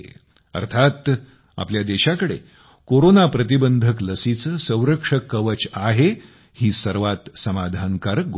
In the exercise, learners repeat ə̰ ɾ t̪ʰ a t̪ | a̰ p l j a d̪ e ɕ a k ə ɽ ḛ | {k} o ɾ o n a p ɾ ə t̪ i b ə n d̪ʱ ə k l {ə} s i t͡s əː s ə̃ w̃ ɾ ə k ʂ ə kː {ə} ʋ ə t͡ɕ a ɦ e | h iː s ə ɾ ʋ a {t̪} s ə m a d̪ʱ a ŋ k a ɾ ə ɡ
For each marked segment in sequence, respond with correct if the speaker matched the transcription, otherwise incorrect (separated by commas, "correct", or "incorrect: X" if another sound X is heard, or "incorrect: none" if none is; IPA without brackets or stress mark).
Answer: correct, correct, correct, correct